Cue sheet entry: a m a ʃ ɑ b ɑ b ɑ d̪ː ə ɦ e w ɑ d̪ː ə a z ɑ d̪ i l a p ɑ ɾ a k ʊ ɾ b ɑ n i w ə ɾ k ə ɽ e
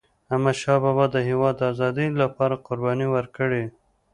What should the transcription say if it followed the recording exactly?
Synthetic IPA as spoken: a m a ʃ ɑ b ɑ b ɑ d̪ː ə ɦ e w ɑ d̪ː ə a z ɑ d̪ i l a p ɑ ɾ a q ʊ ɾ b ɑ n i w ə ɾ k ə ɽ e